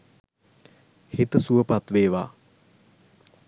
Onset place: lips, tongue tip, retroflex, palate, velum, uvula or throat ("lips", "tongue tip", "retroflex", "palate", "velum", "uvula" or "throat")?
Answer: throat